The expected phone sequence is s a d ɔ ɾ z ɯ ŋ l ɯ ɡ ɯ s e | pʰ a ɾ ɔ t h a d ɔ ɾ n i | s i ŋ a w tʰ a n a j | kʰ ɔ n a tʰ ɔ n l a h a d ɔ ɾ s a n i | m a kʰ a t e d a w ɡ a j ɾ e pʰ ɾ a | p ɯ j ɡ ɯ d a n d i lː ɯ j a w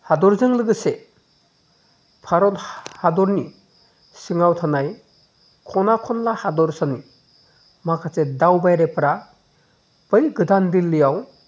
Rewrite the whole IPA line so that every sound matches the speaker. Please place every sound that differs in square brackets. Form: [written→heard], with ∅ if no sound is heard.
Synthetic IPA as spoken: [s→h] a d ɔ ɾ z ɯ ŋ l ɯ ɡ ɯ s e | pʰ a ɾ ɔ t h a d ɔ ɾ n i | s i ŋ a w tʰ a n a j | kʰ ɔ n a [tʰ→kʰ] ɔ n l a h a d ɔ ɾ s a n i | m a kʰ a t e d a w [ɡ→b] a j ɾ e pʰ ɾ a | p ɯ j ɡ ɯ d a n d i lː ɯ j a w